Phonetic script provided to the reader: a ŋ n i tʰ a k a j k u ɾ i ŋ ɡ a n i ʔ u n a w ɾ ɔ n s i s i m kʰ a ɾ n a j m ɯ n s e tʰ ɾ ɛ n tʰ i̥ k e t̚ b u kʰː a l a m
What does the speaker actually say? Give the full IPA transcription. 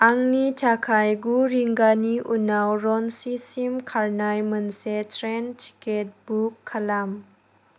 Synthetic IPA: a ŋ n i tʰ a kʰ a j ɡ u ɾ i ŋ ɡ a n i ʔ u n a w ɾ ɔ n s i s i m kʰ a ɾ n a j m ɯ n s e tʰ ɾ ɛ n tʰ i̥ k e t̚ b u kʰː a l a m